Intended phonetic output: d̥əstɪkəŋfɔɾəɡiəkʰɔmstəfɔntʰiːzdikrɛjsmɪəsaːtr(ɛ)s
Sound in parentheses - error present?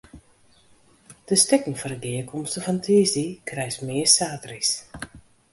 yes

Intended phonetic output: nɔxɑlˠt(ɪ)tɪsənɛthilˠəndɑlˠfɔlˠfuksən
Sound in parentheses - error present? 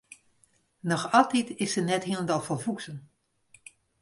yes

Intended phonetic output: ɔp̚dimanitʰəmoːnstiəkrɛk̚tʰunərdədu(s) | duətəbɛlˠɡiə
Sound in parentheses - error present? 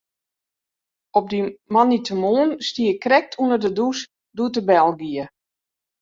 no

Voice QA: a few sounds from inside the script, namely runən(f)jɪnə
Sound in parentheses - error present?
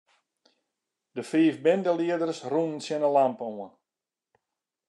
yes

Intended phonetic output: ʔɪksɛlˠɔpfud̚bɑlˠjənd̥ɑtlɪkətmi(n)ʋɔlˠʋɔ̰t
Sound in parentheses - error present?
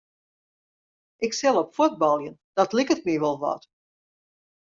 yes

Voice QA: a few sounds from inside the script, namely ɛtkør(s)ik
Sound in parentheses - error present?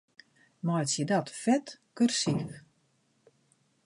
no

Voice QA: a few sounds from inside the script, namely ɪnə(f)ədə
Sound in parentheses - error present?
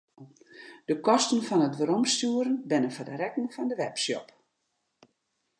no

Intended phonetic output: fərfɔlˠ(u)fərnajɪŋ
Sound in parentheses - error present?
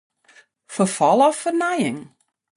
yes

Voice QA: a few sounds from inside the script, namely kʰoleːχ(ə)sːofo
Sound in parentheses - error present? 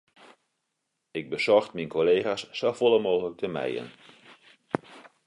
yes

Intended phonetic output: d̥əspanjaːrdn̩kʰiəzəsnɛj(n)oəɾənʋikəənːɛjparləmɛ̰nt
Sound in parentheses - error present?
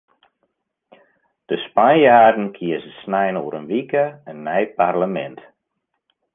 no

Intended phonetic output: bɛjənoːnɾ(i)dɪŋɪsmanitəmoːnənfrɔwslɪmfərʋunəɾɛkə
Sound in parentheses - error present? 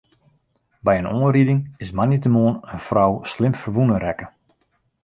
no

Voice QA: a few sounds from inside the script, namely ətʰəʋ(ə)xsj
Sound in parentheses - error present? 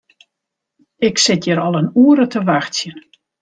yes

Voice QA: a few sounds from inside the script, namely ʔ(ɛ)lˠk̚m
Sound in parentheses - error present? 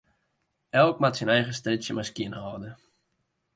no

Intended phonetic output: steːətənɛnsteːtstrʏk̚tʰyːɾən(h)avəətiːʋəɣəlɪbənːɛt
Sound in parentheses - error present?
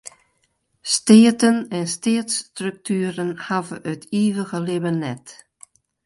no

